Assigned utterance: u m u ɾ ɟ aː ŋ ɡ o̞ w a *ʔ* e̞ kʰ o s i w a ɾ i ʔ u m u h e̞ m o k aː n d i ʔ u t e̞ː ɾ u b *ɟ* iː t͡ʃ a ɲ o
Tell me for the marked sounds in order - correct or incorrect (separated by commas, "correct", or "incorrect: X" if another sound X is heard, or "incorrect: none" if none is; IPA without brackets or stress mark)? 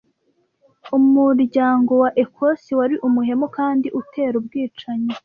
correct, incorrect: ɡ